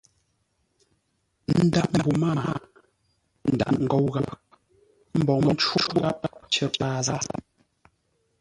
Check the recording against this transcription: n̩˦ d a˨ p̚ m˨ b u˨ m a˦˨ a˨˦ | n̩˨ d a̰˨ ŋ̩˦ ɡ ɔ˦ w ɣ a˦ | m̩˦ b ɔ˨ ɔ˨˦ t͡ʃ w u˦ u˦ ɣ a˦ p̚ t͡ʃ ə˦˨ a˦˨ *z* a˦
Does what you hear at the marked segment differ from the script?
no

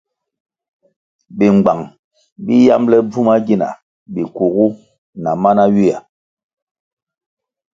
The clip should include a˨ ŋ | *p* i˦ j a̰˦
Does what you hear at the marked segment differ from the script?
yes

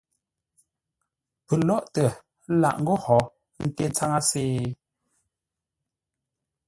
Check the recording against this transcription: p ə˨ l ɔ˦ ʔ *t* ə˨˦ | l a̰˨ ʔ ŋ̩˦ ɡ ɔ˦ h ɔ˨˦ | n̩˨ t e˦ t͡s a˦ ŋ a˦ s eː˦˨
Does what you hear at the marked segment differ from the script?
no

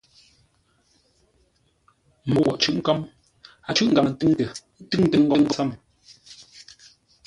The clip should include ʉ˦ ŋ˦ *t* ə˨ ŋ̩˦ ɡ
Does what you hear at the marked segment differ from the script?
no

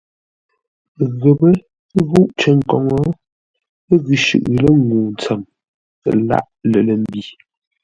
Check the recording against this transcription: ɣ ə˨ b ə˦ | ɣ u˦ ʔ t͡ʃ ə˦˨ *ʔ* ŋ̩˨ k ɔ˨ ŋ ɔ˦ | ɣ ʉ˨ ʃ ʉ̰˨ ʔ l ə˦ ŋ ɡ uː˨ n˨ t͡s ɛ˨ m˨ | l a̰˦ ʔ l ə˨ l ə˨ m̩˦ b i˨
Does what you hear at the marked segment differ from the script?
yes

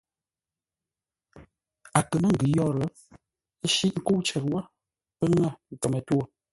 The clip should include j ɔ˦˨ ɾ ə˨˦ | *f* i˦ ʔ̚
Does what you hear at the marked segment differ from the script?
yes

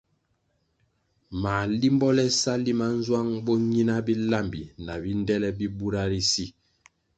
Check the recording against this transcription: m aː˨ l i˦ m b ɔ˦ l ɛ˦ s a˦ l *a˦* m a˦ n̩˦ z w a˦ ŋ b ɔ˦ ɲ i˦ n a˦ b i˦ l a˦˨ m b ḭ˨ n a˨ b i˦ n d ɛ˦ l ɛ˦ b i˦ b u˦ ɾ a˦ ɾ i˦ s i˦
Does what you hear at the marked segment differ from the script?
yes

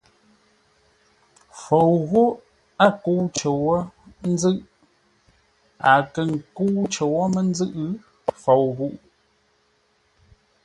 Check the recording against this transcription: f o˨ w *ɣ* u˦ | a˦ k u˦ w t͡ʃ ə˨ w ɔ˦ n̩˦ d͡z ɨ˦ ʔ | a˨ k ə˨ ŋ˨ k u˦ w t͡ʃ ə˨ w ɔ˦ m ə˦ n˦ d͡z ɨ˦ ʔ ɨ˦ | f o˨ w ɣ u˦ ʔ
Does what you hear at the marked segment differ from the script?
no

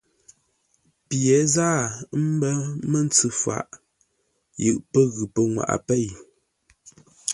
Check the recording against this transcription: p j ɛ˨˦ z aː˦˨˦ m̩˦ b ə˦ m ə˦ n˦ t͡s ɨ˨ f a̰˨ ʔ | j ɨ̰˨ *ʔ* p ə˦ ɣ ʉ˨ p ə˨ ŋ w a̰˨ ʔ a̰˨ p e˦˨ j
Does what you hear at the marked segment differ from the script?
no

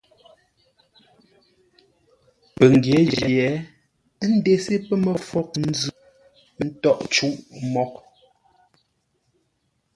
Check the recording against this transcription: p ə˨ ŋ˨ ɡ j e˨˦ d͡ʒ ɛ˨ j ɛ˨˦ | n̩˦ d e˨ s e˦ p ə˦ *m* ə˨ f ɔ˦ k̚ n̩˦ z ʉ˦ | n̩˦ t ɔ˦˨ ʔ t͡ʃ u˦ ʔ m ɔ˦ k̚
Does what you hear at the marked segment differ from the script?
no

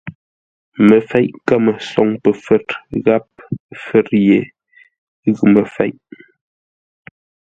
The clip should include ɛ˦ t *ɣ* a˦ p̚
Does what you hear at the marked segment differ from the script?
no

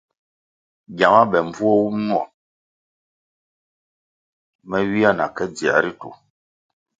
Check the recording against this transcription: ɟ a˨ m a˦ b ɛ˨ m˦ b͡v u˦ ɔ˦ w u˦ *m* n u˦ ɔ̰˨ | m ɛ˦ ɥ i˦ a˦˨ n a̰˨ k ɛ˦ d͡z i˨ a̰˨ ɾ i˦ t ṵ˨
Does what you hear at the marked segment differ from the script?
no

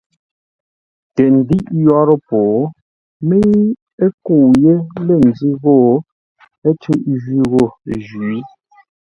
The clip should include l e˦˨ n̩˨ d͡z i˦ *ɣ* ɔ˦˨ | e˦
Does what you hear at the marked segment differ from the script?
no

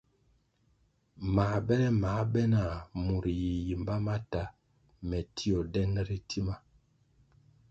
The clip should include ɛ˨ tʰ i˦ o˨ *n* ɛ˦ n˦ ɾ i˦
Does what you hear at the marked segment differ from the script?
yes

